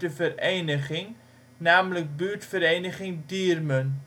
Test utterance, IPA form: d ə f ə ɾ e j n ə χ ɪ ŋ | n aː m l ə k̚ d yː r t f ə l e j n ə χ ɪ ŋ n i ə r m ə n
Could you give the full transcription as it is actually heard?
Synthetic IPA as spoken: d ə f ə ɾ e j n ə χ ɪ ŋ | n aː m l ə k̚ b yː r t f ə ɾ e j n ə χ ɪ ŋ d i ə r m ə n